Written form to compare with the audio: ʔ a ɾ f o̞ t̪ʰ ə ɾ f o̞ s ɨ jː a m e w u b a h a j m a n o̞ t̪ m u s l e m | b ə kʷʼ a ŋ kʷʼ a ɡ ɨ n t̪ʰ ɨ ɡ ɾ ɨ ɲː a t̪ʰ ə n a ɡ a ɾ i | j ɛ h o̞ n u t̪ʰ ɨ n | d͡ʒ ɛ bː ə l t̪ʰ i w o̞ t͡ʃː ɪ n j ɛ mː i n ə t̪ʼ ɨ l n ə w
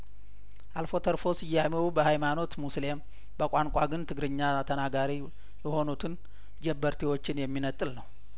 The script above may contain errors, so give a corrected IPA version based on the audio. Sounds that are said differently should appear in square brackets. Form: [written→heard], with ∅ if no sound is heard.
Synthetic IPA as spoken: ʔ a [ɾ→l] f o̞ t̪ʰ ə ɾ f o̞ s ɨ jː a m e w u b [a→ə] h a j m a n o̞ t̪ m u s l e m | b ə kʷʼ a ŋ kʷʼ a ɡ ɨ n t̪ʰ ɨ ɡ ɾ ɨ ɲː a t̪ʰ ə n a ɡ a ɾ i | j ɛ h o̞ n u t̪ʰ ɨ n | d͡ʒ ɛ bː ə [l→ɾ] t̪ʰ i w o̞ t͡ʃː ɪ n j ɛ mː i n ə t̪ʼ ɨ l n ə w